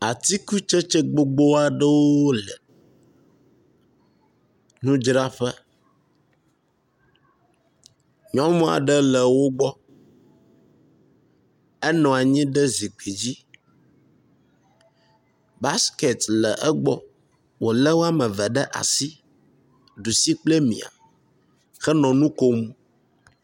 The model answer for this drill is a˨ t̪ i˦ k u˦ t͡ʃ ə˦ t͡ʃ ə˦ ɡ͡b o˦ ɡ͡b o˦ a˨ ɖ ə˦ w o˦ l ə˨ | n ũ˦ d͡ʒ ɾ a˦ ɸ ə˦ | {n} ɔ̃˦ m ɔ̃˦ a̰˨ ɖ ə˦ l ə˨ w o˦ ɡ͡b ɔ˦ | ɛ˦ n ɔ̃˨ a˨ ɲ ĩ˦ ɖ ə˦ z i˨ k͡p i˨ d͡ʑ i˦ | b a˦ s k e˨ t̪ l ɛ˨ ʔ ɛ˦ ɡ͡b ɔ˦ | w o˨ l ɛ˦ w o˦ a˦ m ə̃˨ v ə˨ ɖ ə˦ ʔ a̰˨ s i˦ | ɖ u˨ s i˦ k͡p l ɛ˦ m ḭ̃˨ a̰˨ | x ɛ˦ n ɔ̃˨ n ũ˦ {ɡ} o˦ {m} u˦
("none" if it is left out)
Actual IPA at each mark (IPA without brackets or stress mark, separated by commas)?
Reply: ɲ, k, m